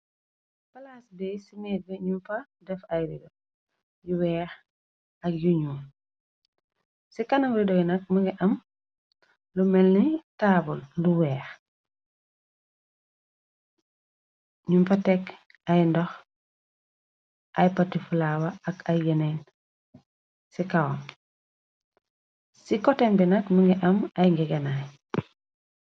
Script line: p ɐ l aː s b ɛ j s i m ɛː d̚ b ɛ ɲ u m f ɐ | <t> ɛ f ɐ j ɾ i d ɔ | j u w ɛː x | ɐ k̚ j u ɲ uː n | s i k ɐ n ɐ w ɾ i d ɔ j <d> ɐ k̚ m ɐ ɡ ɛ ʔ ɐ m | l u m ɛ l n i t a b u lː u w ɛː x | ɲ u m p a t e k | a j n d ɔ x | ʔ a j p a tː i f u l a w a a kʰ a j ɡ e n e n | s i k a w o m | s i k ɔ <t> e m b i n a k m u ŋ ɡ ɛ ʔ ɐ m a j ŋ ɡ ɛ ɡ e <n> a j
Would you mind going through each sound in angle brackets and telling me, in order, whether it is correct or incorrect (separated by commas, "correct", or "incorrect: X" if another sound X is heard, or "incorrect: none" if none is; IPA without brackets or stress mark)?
incorrect: d, incorrect: n, correct, correct